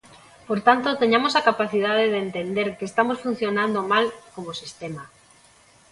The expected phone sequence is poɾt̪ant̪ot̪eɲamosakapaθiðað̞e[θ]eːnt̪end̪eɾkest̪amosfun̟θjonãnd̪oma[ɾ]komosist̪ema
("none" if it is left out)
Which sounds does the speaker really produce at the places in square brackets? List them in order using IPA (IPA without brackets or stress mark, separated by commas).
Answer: ð, l